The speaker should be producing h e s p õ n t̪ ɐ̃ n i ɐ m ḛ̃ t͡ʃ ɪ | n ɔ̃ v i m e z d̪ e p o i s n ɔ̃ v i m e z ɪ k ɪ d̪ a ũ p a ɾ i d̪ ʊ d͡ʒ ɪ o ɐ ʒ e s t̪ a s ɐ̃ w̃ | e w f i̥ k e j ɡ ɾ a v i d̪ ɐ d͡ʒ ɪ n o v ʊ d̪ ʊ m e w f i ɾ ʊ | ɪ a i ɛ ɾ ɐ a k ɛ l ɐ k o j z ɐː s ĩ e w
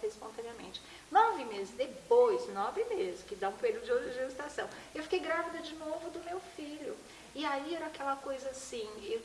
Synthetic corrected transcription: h e s p õ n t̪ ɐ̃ n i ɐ m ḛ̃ t͡ʃ ɪ | n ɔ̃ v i m e z d̪ e p o j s n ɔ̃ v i m e z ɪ k ɪ d̪ a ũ p e ɾ i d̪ ʊ d͡ʒ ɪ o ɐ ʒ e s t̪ a s ɐ̃ w̃ | e w f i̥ k e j ɡ ɾ a v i d̪ ɐ d͡ʒ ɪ n o v ʊ d̪ ʊ m e w f i ʎ ʊ | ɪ a i ɛ ɾ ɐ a k ɛ l ɐ k o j z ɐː s ĩ e w

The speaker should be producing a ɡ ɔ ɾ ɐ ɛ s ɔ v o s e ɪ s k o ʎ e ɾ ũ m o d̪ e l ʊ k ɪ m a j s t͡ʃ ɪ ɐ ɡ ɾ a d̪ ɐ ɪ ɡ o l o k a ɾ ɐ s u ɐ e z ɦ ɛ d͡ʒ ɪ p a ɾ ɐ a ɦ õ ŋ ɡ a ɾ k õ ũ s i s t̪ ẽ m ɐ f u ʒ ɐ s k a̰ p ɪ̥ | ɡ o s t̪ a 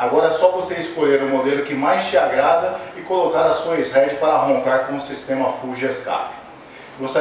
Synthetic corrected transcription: a ɡ ɔ ɾ ɐ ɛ s ɔ v o s e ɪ s k o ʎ e ɾ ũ m o d̪ e l ʊ k ɪ m a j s t͡ʃ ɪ a ɡ ɾ a d̪ ɐ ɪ k o l o k a ɾ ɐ s u ɐ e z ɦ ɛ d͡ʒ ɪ p a ɾ ɐ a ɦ õ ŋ k a ɾ k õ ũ s i s t̪ ẽ m ɐ f u ʒ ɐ s k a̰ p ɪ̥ | ɡ o s t̪ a

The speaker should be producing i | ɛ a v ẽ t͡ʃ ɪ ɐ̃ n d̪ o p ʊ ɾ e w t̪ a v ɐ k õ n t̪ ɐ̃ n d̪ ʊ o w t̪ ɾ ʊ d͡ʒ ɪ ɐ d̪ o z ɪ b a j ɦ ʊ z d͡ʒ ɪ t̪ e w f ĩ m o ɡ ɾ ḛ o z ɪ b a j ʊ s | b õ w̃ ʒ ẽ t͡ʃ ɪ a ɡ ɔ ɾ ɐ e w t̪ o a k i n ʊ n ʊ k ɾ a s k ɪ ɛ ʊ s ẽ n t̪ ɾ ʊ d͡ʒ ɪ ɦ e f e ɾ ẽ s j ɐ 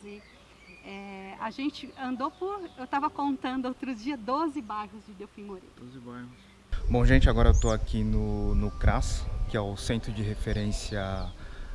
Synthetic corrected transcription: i | ɛ a ʒ ẽ t͡ʃ ɪ ɐ̃ n d̪ o p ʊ ɾ e w t̪ a v ɐ k õ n t̪ ɐ̃ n d̪ ʊ o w t̪ ɾ ʊ d͡ʒ i ɐ d̪ o z ɪ b a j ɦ ʊ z d͡ʒ ɪ d̪ e w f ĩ m o ɾ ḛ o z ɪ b a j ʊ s | b õ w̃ ʒ ẽ t͡ʃ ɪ a ɡ ɔ ɾ ɐ e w t̪ o a k i n ʊ n ʊ k ɾ a s k ɪ ɛ ʊ s ẽ n t̪ ɾ ʊ d͡ʒ ɪ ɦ e f e ɾ ẽ s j ɐ

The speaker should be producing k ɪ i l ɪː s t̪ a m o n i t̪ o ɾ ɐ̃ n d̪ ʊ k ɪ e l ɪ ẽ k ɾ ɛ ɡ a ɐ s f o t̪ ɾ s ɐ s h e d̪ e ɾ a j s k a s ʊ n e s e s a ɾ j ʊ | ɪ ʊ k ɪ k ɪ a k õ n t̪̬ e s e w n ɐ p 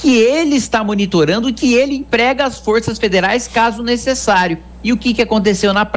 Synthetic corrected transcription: k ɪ e l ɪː s t̪ a m o n i t̪ o ɾ ɐ̃ n d̪ ʊ k ɪ e l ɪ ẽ p ɾ ɛ ɡ ɐ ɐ s f o ɾ s ɐ s f e d̪ e ɾ a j s k a z ʊ n e s e s a ɾ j ʊ | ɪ ʊ k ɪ k ɪ a k õ n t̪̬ e s e w n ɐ p

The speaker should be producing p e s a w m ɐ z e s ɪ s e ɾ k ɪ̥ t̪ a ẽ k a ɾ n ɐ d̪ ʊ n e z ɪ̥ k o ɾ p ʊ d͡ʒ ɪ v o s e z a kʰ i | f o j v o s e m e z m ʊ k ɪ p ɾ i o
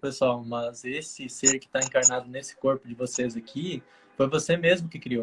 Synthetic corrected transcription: p e s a w m ɐ z e s ɪ s e ɾ k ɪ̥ t̪ a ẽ k a ɾ n a d̪ ʊ n e s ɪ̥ k o ɾ p ʊ d͡ʒ ɪ v o s e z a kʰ i | f o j v o s e m e z m ʊ k ɪ k ɾ i o

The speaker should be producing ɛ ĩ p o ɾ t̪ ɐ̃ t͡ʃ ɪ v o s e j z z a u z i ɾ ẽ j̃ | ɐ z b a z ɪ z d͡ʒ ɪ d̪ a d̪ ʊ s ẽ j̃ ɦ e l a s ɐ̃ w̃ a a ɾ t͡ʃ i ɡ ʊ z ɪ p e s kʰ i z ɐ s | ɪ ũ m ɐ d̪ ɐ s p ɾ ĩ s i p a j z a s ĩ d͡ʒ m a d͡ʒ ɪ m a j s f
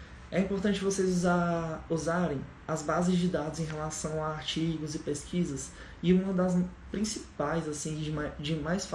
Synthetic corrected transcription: ɛ ĩ p o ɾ t̪ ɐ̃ t͡ʃ ɪ v o s e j z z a u z a ɾ ẽ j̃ | ɐ z b a z ɪ z d͡ʒ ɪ d̪ a d̪ ʊ z ẽ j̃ ɦ e l a s ɐ̃ w̃ a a ɾ t͡ʃ i ɡ ʊ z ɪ p e s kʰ i z ɐ s | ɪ ũ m ɐ d̪ ɐ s p ɾ ĩ s i p a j z a s ĩ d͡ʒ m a d͡ʒ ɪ m a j s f

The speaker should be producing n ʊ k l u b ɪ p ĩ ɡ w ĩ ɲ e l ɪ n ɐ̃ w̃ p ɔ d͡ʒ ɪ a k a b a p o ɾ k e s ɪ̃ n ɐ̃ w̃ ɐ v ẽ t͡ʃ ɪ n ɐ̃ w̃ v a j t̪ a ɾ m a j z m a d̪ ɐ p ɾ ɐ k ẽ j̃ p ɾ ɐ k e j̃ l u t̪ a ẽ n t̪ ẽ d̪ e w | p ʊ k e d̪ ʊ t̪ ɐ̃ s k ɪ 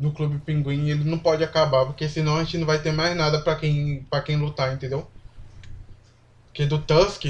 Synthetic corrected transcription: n ʊ k l u b ɪ p ĩ ɡ w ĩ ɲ e l ɪ n ɐ̃ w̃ p ɔ d͡ʒ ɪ a k a b a p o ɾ k e s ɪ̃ n ɐ̃ w̃ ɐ ʒ ẽ t͡ʃ ɪ n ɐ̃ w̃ v a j t̪ e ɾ m a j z n a d̪ ɐ p ɾ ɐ k ẽ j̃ p ɾ ɐ k ẽ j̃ l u t̪ a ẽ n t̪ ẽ d̪ e w | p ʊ k e d̪ ʊ t̪ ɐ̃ s k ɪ

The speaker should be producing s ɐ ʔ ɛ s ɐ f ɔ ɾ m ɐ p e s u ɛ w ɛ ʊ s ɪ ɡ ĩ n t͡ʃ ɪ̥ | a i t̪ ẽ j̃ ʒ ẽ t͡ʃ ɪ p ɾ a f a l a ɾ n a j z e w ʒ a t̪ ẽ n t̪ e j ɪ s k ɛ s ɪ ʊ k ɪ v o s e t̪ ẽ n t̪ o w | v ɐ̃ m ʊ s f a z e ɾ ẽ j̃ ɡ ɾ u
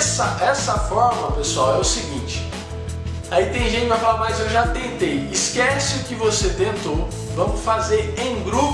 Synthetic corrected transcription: s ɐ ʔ ɛ s ɐ f ɔ ɾ m ɐ p e s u a w ɛ ʊ s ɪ ɡ ĩ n t͡ʃ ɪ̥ | a i t̪ ẽ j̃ ʒ ẽ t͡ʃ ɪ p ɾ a f a l a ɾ m a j z e w ʒ a t̪ ẽ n t̪ e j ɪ s k ɛ s ɪ ʊ k ɪ v o s e t̪ ẽ n t̪ o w | v ɐ̃ m ʊ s f a z e ɾ ẽ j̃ ɡ ɾ u

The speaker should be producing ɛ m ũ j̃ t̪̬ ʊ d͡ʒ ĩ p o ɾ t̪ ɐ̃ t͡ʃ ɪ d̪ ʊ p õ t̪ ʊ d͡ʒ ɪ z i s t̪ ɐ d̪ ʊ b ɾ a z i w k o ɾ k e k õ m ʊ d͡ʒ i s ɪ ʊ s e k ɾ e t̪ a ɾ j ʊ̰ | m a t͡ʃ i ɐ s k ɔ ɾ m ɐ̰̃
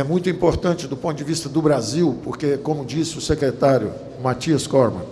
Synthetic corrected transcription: ɛ m ũ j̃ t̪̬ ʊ ĩ p o ɾ t̪ ɐ̃ t͡ʃ ɪ d̪ ʊ p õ t̪ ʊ d͡ʒ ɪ v i s t̪ ɐ d̪ ʊ b ɾ a z i w p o ɾ k e k õ m ʊ d͡ʒ i s ɪ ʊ s e k ɾ e t̪ a ɾ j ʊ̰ | m a t͡ʃ i ɐ s k ɔ ɾ m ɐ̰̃

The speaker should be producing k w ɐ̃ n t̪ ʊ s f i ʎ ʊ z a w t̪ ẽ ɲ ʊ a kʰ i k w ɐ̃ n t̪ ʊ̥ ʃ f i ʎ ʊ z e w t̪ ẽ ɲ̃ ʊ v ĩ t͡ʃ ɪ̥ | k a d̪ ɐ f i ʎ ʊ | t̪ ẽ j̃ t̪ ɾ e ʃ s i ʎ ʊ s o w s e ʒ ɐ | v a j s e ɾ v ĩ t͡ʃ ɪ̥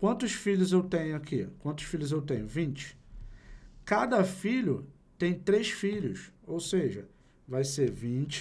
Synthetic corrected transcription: k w ɐ̃ n t̪ ʊ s f i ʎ ʊ z e w t̪ ẽ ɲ ʊ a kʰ i k w ɐ̃ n t̪ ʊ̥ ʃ f i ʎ ʊ z e w t̪ ẽ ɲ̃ ʊ v ĩ t͡ʃ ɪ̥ | k a d̪ ɐ f i ʎ ʊ | t̪ ẽ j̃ t̪ ɾ e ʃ f i ʎ ʊ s o w s e ʒ ɐ | v a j s e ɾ v ĩ t͡ʃ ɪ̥

